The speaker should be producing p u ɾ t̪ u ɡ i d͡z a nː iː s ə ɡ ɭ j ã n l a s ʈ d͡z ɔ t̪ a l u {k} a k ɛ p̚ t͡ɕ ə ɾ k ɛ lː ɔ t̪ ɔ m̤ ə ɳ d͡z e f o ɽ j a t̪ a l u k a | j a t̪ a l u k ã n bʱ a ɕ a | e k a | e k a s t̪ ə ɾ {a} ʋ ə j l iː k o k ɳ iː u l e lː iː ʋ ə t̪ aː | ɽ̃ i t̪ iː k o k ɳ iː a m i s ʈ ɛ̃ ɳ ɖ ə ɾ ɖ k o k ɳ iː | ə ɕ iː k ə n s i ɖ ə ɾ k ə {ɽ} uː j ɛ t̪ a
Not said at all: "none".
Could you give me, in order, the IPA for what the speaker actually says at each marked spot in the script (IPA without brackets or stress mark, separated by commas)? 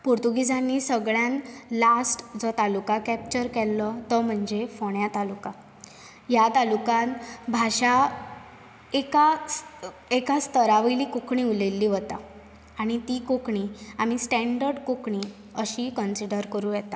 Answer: k, a, ɾ